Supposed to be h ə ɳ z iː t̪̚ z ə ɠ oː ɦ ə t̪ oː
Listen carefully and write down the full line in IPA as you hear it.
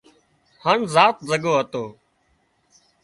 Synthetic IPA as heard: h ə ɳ z aː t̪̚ z ə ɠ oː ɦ ə t̪ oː